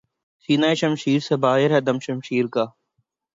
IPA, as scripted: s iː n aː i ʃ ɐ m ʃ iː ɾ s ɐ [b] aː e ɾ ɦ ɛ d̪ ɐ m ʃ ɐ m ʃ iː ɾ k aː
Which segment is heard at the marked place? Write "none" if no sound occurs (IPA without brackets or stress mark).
b